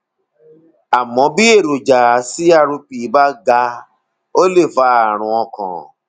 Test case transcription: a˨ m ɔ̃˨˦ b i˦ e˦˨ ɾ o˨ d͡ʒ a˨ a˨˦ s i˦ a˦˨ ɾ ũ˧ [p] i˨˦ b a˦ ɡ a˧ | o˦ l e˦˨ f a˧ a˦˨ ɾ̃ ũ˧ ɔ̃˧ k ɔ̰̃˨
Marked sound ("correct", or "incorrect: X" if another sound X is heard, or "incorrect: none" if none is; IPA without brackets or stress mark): correct